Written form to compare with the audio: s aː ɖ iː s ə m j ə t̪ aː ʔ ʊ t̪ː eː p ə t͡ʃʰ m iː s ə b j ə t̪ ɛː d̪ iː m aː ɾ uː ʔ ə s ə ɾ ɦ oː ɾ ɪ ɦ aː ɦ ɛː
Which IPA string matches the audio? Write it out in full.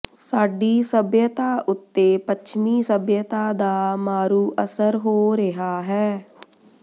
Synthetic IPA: s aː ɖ iː s ə b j ə t̪ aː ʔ ʊ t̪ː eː p ə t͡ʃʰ m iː s ə b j ə t̪ aː d̪ aː m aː ɾ uː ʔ ə s ə ɾ ɦ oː ɾ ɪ ɦ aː ɦ ɛː